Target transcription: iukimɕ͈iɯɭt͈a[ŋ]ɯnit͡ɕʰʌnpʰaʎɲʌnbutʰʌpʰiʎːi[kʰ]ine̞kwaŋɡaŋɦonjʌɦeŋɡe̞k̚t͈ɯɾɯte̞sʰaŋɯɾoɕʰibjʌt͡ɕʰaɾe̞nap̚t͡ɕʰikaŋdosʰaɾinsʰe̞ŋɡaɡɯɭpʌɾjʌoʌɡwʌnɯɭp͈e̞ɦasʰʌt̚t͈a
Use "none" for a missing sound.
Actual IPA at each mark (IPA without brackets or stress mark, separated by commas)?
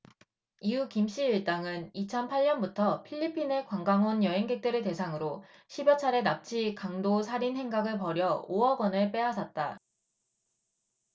ŋ, pʰ